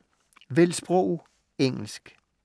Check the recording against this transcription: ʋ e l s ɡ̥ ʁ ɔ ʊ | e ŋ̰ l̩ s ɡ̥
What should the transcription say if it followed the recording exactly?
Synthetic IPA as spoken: ʋ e l s b̥ ʁ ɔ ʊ | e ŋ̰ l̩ s ɡ̥